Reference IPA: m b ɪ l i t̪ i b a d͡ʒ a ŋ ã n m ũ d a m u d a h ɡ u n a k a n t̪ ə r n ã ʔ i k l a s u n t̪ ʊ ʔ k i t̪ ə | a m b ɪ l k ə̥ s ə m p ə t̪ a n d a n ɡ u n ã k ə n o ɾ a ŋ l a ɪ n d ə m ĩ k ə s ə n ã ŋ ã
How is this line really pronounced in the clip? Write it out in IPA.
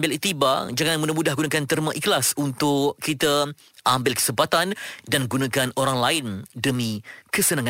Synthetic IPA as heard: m b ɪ l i t̪ i b a d͡ʒ a ŋ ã n m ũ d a m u d a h ɡ u n a k a n t̪ ə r m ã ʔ i k l a s u n t̪ ʊ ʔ k i t̪ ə | a m b ɪ l k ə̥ s ə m p a t̪ a n d a n ɡ u n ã k a n o ɾ a ŋ l a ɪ n d ə m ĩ k ə s ə n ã ŋ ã